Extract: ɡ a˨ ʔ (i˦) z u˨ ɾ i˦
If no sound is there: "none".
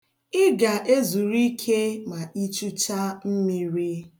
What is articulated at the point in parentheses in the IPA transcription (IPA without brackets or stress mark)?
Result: e˦